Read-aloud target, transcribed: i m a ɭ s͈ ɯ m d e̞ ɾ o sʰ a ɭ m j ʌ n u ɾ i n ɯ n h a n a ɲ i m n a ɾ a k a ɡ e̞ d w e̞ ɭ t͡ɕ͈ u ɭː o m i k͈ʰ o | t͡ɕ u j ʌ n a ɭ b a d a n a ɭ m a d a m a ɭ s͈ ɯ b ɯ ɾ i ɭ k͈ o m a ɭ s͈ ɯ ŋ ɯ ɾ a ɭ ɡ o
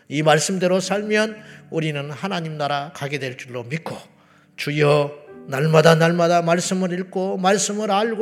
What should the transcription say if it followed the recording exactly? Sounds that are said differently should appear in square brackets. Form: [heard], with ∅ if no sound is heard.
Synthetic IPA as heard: i m a ɭ s͈ ɯ m d e̞ ɾ o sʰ a ɭ m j ʌ n u ɾ i n ɯ n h a n a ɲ i m n a ɾ a k a ɡ e̞ d w e̞ ɭ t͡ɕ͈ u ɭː o m i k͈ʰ o | t͡ɕ u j ʌ n a ɭ [m] a d a n a ɭ m a d a m a ɭ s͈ ɯ [m] ɯ ɾ i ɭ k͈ o m a ɭ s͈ ɯ [m] ɯ ɾ a ɭ ɡ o